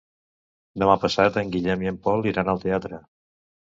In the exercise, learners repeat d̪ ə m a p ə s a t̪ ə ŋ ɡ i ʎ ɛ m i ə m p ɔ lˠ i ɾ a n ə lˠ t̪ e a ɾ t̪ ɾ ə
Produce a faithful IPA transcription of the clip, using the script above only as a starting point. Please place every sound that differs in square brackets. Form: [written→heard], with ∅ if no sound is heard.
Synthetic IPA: d̪ ə m a p ə s a t̪ ə ŋ ɡ i ʎ ɛ m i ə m p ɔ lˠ i ɾ a n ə lˠ t̪ e a [ɾ→∅] t̪ ɾ ə

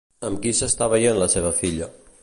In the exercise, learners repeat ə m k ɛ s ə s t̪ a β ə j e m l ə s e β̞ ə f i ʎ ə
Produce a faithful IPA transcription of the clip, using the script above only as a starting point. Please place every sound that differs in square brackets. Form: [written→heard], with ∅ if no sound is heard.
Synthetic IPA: ə m k [ɛ→i] s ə s t̪ a β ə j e [m→n] l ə s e β̞ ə f i ʎ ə

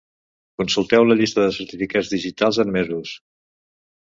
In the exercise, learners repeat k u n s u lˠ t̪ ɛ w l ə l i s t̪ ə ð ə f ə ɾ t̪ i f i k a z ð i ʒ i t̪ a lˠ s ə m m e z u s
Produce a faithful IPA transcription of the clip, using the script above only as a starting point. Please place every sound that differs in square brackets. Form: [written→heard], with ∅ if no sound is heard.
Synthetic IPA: k u n s u lˠ t̪ ɛ w l ə [l→ʎ] i s t̪ ə ð ə [f→s] ə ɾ t̪ i f i k a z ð i ʒ i t̪ a lˠ [s→z] ə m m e z u s

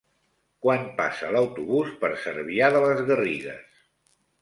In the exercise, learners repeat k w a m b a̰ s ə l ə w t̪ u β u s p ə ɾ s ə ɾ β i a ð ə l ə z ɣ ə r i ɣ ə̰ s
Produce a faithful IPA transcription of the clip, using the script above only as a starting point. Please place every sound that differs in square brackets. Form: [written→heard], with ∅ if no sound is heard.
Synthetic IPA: k w a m [b→p] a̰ s ə l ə w t̪ u β u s p ə ɾ s ə ɾ β i a ð ə l ə z ɣ ə r i ɣ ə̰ s

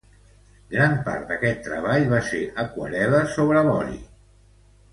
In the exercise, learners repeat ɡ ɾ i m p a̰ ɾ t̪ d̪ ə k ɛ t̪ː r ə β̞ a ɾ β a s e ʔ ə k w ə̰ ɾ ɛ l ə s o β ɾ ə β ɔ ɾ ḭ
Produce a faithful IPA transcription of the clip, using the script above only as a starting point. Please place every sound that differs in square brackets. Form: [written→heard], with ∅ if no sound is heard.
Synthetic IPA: ɡ ɾ [i→a] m p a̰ ɾ t̪ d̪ ə k ɛ t̪ː [r→ɾ] ə β̞ a [ɾ→ʎ] β a s e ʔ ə k w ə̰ ɾ ɛ l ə s o β ɾ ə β ɔ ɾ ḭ

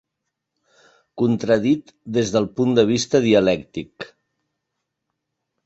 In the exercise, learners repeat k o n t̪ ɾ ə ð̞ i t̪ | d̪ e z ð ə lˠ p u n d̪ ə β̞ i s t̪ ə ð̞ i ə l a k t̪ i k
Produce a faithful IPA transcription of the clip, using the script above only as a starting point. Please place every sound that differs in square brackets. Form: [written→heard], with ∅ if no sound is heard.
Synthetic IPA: k [o→u] n t̪ ɾ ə ð̞ i t̪ | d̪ e z ð ə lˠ p u n d̪ ə β̞ i s t̪ ə ð̞ i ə l [a→ɛ] k t̪ i k

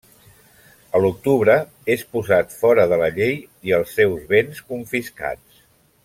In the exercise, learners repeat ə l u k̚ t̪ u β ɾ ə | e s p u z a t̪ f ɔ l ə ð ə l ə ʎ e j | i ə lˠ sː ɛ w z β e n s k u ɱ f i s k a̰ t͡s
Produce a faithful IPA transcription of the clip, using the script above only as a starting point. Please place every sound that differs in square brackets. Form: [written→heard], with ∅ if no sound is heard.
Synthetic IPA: ə l u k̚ t̪ u β ɾ ə | e s p u z a t̪ f ɔ [l→ɾ] ə ð ə l ə ʎ e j | i ə lˠ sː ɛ w z β e n s k u ɱ f i s k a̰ t͡s

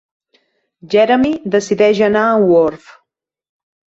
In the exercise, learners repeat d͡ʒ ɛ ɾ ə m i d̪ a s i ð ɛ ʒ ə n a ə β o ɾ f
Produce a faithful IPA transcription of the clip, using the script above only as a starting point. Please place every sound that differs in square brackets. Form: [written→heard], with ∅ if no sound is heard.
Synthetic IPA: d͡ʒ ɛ ɾ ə m i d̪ [a→ə] s i ð ɛ ʒ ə n a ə [β→w] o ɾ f

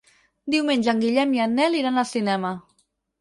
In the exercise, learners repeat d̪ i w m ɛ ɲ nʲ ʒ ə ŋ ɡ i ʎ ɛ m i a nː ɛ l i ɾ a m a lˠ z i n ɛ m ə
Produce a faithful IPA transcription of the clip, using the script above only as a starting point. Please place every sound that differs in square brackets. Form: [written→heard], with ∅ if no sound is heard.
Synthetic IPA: d̪ i w m [ɛ→e] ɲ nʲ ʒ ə ŋ ɡ i ʎ ɛ m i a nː ɛ l i ɾ a [m→n] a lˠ [z→s] i n ɛ m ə

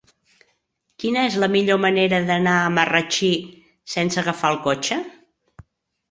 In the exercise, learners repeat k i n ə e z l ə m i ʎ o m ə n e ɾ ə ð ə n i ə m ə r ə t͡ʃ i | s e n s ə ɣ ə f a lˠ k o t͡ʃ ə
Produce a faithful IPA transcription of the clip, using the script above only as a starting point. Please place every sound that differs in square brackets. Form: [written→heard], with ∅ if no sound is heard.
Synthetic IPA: k i n ə e z l ə m i ʎ o m ə n e ɾ ə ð ə n [i→a] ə m ə r ə t͡ʃ i | s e n s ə ɣ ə f a lˠ k o t͡ʃ ə

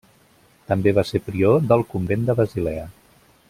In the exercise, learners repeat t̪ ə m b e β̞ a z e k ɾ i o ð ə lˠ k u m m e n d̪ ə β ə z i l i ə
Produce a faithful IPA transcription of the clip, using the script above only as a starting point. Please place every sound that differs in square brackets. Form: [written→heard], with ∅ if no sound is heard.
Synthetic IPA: t̪ ə m b e β̞ a [z→s] e [k→p] ɾ i o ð ə lˠ k u m [m→b] e n d̪ ə β ə z i l [i→ɛ] ə

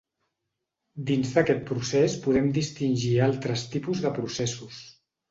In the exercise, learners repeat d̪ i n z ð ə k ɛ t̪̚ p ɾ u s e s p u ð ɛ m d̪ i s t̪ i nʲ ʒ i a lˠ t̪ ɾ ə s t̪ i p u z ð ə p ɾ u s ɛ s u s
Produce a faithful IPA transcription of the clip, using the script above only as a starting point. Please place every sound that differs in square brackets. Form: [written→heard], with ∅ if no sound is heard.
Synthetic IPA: d̪ i n z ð ə k ɛ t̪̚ p ɾ u s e s p u ð ɛ m d̪ i s t̪ i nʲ ʒ i a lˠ t̪ ɾ ə s t̪ i p u z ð ə p ɾ u s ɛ s u s

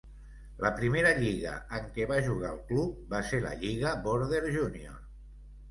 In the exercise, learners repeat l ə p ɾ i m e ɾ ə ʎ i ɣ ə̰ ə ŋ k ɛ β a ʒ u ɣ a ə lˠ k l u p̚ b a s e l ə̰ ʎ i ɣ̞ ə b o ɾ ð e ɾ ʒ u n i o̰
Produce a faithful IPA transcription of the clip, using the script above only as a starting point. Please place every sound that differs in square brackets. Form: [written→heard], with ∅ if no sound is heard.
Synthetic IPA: l ə p ɾ i m e ɾ ə ʎ i ɣ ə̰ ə ŋ k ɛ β a ʒ u ɣ a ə lˠ k l u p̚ b a s e l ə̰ ʎ i ɣ̞ ə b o ɾ ð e ɾ ʒ u n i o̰

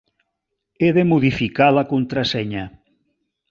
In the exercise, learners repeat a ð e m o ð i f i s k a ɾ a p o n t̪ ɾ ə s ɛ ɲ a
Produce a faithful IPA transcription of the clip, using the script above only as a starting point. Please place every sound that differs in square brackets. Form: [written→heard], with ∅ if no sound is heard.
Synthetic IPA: [a→e] ð e m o ð i f i [s→∅] k a [ɾ→l] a [p→k] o n t̪ ɾ [ə→a] s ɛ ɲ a

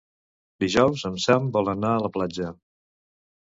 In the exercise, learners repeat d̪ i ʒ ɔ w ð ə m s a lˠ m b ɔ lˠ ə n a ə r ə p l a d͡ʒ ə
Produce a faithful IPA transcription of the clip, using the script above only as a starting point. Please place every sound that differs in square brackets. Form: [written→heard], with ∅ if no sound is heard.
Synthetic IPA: d̪ i ʒ ɔ w [ð→z] ə m s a [lˠ→∅] m b ɔ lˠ ə n a ə [r→l] ə p l a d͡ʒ ə

